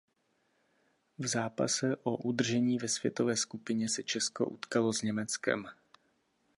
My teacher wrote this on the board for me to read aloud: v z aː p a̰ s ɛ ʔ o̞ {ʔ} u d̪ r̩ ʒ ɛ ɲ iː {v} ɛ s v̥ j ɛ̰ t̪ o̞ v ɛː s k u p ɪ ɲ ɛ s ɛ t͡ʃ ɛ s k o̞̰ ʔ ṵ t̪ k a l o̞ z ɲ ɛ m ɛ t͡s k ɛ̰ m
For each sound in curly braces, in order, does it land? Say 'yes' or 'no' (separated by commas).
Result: yes, yes